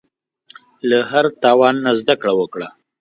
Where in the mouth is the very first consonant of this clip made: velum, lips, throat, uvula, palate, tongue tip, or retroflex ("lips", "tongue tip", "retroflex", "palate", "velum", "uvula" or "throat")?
tongue tip